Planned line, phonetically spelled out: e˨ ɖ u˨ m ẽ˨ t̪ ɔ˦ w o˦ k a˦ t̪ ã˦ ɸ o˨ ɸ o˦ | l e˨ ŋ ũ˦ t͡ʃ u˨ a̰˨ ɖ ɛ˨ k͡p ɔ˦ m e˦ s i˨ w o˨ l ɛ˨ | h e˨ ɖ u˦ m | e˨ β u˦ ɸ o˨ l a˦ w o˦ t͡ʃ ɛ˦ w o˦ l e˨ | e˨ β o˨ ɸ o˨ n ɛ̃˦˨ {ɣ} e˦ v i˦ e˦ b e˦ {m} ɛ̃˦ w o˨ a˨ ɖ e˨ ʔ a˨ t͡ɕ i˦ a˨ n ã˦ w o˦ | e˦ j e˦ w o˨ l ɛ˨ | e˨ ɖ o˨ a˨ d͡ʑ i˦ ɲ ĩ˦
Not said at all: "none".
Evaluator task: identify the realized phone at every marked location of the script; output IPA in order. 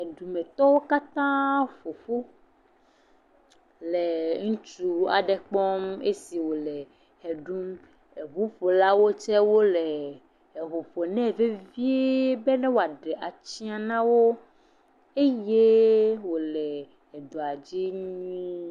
v, n

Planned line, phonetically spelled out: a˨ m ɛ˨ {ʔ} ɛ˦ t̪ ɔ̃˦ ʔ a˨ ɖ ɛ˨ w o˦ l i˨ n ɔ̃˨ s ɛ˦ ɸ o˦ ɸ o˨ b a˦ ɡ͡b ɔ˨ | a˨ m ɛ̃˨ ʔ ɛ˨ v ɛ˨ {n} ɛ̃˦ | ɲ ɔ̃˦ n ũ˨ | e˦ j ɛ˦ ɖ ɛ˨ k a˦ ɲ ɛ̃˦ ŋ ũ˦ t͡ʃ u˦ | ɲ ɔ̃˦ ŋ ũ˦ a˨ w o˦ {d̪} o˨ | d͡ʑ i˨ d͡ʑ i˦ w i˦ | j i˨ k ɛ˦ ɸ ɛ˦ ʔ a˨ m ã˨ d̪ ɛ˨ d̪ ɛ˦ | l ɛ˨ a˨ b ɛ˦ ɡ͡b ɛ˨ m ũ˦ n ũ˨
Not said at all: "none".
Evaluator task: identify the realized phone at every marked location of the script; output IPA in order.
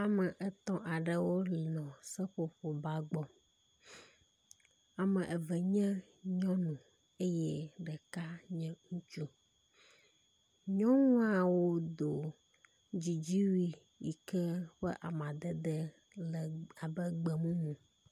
ʔ, ɲ, d̪

